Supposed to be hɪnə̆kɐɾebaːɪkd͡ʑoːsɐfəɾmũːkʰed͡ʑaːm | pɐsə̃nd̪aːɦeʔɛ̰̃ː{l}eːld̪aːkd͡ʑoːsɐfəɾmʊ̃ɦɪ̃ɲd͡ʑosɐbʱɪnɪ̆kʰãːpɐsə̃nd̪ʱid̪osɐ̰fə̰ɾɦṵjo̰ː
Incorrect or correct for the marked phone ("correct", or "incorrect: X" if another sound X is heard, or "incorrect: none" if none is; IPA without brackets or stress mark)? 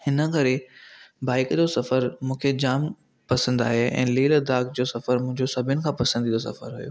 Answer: correct